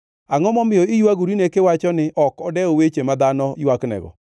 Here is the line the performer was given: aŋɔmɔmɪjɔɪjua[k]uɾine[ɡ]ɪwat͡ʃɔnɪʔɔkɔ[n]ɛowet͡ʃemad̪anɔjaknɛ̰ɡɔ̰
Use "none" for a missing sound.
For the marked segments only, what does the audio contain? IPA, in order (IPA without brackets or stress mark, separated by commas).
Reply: ɡ, k, d